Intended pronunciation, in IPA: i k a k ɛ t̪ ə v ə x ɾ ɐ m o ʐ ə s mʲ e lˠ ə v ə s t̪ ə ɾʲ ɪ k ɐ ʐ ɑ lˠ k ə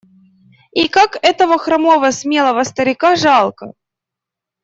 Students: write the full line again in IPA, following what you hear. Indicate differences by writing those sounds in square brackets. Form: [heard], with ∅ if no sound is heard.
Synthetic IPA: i k a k ɛ t̪ ə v ə x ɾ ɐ m o [v] ə s mʲ e lˠ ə v ə s t̪ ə ɾʲ ɪ k [a] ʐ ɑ lˠ k ə